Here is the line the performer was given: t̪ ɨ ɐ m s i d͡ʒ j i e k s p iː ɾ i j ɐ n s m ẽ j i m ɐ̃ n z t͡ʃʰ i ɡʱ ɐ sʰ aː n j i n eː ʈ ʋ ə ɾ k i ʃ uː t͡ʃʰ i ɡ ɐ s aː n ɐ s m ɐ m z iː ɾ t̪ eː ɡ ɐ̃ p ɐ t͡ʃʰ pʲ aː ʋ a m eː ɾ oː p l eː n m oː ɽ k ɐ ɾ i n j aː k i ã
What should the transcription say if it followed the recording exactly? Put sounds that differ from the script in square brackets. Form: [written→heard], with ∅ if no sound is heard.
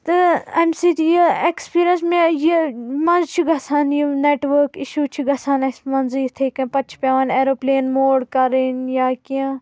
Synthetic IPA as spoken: t̪ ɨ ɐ m s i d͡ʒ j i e k s p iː ɾ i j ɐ n s m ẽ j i m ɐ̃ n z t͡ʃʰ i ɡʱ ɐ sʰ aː n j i n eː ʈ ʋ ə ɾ k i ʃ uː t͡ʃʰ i ɡ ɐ s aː n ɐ s m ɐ [m→n] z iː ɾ [t̪→t̪ʰ] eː [ɡ→k] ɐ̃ p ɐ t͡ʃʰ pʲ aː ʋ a [m→n] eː ɾ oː p l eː n m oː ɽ k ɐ ɾ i n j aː k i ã

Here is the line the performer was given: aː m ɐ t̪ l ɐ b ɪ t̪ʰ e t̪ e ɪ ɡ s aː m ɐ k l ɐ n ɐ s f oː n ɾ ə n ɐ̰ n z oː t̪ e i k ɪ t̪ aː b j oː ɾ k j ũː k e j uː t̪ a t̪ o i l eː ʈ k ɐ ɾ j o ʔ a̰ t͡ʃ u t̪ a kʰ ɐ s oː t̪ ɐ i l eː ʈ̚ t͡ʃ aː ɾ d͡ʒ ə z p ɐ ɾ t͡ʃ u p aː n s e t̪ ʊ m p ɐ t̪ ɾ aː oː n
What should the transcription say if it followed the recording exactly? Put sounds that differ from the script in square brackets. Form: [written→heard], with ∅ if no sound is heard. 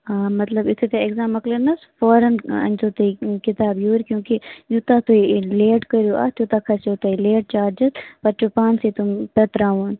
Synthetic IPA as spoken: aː m ɐ t̪ l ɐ b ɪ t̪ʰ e t̪ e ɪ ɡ [s→z] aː m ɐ k l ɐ n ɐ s f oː [n→∅] ɾ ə n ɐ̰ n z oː t̪ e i k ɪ t̪ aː b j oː ɾ k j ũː k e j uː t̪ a t̪ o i l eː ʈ k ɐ ɾ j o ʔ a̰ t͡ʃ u t̪ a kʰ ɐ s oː t̪ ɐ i l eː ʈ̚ t͡ʃ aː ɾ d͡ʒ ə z p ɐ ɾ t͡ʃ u p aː n s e t̪ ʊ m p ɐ t̪ ɾ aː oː n

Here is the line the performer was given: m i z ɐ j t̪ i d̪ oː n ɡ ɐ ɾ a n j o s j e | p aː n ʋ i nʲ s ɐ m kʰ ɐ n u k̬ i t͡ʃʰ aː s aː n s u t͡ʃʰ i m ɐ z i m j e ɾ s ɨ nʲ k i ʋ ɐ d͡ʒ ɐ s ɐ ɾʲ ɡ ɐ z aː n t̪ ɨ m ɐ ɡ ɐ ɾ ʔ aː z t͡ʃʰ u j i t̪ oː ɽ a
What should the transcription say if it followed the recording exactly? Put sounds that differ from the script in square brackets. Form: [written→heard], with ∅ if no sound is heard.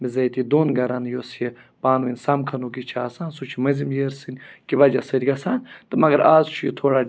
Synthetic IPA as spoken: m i z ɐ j t̪ i d̪ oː n ɡ ɐ ɾ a n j o s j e | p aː n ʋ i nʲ s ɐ m kʰ ɐ n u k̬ i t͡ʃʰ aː s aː n s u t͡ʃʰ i m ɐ z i m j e ɾ s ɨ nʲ k i ʋ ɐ d͡ʒ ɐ s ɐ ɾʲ ɡ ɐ [z→s] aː n t̪ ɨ m ɐ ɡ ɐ ɾ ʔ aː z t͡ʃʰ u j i [t̪→t̪ʰ] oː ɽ a

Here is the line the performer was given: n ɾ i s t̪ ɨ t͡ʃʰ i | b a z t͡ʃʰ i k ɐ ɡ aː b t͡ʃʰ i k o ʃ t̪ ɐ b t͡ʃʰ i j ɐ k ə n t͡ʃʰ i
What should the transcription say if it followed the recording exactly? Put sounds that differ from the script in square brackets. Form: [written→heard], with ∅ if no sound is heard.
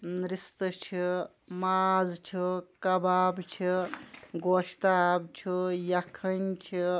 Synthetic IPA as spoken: n ɾ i s t̪ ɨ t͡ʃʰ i | [b→m] a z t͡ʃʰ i k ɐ [ɡ→b] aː b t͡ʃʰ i [k→ɡ] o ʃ t̪ [ɐ→a] b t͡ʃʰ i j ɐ [k→kʰ] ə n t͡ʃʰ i

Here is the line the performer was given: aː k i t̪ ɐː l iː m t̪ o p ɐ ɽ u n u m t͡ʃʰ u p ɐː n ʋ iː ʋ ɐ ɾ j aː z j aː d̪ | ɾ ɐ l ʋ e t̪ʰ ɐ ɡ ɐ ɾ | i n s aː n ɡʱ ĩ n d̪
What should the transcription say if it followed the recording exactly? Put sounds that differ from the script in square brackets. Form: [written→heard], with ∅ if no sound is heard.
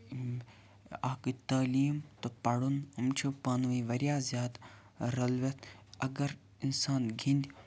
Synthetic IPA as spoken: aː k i t̪ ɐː l iː m t̪ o p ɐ ɽ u n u m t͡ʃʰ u p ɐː n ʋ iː ʋ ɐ ɾ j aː z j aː d̪ | ɾ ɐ l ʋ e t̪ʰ ɐ ɡ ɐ ɾ | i n s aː n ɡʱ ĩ n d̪

